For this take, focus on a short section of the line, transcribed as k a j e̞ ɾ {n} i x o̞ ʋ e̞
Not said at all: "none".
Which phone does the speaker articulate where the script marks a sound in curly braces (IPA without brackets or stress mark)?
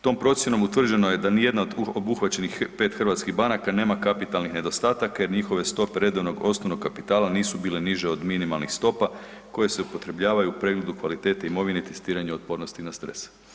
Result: ɲ